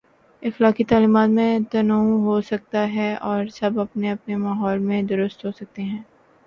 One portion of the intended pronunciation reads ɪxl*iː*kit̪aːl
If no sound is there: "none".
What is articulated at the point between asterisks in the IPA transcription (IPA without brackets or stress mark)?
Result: aː